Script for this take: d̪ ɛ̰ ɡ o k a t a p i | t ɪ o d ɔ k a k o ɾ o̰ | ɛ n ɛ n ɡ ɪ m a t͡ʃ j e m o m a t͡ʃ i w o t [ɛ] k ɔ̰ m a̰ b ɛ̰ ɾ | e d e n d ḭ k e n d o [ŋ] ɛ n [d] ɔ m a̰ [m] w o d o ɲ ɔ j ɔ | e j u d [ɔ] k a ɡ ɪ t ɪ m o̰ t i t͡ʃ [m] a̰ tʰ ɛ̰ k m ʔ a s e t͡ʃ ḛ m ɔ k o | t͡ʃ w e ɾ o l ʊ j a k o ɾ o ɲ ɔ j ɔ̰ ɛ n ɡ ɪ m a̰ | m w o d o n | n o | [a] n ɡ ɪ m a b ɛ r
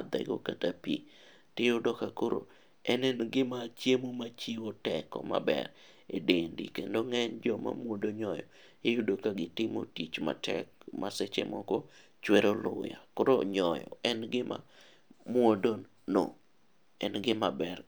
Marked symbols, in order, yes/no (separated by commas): yes, yes, no, yes, no, yes, no